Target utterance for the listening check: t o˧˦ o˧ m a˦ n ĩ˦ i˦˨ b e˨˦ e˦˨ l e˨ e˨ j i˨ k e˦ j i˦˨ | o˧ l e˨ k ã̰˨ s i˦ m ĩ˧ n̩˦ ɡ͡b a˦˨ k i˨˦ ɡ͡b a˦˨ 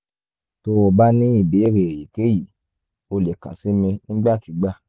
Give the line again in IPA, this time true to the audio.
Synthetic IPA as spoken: t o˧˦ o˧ b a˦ n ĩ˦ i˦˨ b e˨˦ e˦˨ ɾ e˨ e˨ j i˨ k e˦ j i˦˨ | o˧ l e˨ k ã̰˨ s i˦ m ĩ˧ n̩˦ ɡ͡b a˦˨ k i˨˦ ɡ͡b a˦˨

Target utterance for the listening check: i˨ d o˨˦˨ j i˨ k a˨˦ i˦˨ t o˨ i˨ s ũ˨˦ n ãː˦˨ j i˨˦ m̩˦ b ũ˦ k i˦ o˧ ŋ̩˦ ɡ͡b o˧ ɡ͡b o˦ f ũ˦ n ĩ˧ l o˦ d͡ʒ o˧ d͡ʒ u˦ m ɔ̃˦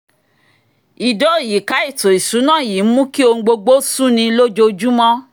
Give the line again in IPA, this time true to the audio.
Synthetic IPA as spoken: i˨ d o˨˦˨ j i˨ k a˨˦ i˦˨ t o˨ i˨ s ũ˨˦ n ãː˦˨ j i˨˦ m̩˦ m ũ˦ k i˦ o˧ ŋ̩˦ ɡ͡b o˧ ɡ͡b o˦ s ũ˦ n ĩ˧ l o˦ d͡ʒ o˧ d͡ʒ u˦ m ɔ̃˦

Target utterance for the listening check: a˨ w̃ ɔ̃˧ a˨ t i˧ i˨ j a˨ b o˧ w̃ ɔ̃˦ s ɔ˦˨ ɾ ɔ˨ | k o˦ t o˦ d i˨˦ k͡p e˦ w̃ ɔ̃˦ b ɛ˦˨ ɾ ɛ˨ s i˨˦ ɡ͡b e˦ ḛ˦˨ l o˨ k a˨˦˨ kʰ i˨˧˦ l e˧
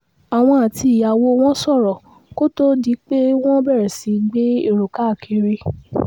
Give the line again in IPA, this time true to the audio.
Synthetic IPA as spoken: a˨ w̃ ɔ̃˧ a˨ t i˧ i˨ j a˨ w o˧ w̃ ɔ̃˦ s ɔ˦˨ ɾ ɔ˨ | k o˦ t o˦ d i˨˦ k͡p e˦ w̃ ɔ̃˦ b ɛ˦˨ ɾ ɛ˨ s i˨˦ ɡ͡b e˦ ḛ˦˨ ɾ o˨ k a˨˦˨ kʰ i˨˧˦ ɾ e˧

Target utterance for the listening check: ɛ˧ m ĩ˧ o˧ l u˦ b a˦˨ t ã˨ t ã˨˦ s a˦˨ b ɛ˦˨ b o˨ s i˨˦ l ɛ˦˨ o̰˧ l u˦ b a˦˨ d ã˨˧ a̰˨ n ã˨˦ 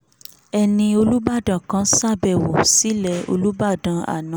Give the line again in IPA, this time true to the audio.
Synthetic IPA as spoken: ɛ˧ n ĩ˧ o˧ l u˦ b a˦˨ d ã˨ k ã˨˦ s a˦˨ b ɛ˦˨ w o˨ s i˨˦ l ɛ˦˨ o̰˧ l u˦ b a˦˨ d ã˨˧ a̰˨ n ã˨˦

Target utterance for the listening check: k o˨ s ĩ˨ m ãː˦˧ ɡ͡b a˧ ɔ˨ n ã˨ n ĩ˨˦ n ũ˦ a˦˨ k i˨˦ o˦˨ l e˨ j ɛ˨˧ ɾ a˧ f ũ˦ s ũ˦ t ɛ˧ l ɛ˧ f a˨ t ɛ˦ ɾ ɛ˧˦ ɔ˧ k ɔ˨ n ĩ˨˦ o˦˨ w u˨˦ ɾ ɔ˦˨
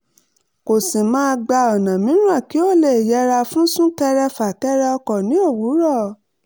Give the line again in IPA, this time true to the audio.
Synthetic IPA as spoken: k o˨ s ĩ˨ m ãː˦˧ ɡ͡b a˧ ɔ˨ n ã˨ m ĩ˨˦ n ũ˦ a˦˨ k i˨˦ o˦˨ l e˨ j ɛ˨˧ ɾ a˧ f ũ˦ s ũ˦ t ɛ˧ ɾ ɛ˧ f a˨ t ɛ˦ ɾ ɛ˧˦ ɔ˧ k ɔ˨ n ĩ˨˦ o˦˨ w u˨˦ ɾ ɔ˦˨

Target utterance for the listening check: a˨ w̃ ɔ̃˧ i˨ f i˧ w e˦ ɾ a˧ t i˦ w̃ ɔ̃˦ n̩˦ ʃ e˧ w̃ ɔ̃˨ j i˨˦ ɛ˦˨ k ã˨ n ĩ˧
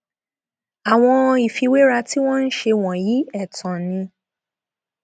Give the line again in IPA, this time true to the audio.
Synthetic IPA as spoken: a˨ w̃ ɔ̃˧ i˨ f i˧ w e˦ ɾ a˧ t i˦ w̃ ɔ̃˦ n̩˦ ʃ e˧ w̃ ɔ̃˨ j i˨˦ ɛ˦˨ t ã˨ n ĩ˧

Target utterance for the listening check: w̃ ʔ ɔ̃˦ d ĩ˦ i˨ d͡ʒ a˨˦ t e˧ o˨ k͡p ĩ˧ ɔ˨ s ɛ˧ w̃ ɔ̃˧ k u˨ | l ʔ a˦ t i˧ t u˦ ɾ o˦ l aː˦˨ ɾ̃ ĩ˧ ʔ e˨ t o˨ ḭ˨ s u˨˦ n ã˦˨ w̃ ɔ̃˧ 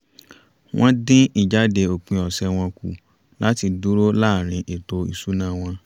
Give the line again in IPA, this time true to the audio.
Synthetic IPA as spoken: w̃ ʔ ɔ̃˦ d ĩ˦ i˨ d͡ʒ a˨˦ d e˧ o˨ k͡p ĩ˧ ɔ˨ s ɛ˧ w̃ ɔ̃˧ k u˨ | l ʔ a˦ t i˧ d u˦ ɾ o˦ l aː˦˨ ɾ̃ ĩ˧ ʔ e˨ t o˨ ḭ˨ s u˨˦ n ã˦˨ w̃ ɔ̃˧

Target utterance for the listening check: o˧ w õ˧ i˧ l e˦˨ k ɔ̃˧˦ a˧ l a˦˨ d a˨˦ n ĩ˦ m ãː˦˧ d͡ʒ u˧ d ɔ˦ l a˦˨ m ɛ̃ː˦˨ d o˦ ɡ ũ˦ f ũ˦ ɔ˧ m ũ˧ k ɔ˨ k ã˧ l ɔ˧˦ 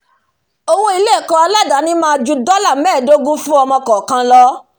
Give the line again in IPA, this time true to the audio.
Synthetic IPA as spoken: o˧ w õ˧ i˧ l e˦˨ k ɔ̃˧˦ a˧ l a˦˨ d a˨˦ n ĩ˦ m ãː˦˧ d͡ʒ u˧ d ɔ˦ l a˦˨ m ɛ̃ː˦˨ d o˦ ɡ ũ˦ f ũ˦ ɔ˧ m ɔ̃˧ k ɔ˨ k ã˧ l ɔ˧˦

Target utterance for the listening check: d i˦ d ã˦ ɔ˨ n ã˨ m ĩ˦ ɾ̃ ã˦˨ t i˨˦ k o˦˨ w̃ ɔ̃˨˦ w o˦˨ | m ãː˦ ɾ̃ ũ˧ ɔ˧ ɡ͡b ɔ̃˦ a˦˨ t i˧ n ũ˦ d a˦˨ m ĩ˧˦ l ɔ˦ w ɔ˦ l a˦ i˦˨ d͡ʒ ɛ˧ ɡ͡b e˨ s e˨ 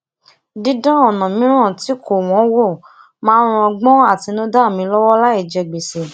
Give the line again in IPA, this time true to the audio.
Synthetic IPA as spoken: d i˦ d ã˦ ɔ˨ n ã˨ m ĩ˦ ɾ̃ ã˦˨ t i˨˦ k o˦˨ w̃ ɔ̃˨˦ w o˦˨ | m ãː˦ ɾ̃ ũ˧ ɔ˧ ɡ͡b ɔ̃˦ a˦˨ t i˧ n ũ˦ d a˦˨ m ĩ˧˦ l ɔ˦ w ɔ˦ l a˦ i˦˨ d͡ʒ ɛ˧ ɡ͡b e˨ s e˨

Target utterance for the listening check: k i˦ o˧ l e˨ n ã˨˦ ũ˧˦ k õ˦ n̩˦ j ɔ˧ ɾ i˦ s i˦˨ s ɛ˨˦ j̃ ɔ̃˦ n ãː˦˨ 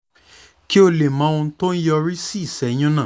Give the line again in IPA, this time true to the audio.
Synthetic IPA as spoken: k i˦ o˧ l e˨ m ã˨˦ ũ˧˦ t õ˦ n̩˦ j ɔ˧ ɾ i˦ s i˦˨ s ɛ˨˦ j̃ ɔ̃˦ n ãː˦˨

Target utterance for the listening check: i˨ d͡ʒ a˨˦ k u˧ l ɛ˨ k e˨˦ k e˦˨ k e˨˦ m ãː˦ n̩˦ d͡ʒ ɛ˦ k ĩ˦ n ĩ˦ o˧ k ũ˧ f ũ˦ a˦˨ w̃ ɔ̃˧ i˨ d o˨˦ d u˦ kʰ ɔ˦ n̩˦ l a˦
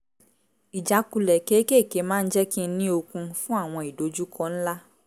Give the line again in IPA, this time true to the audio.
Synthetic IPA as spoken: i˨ d͡ʒ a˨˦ k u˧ l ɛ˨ k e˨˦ k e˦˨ k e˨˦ m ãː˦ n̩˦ d͡ʒ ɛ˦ k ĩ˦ n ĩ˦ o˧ k ũ˧ f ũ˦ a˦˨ w̃ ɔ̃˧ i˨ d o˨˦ d͡ʒ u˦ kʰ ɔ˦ n̩˦ l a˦

